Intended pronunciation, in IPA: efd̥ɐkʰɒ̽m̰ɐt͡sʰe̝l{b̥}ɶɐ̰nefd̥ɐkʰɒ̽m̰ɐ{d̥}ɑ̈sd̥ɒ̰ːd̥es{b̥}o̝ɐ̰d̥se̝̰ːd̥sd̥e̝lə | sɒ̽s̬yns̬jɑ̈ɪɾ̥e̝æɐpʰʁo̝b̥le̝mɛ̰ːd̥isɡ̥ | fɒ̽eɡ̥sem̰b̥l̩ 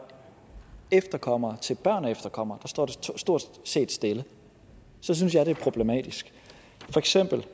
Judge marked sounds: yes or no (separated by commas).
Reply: yes, yes, no